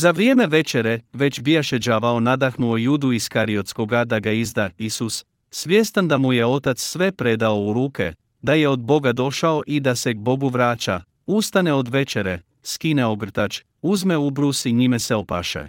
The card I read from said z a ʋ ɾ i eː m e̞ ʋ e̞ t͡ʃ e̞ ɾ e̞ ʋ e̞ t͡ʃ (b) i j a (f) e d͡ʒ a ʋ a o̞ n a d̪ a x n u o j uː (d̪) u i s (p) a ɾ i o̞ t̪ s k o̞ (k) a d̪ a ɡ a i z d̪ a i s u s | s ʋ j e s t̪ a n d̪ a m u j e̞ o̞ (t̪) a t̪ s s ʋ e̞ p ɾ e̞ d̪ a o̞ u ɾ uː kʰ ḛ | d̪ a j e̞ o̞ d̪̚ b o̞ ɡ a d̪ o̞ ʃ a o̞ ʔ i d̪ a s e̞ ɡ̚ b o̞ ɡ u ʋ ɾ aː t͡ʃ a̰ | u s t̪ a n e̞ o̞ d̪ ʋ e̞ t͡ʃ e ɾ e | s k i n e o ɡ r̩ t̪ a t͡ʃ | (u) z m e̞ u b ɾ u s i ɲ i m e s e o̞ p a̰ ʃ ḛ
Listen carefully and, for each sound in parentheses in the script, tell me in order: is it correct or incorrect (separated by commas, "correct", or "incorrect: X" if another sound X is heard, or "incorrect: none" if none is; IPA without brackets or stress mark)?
correct, incorrect: ʃ, correct, incorrect: k, incorrect: ɡ, correct, correct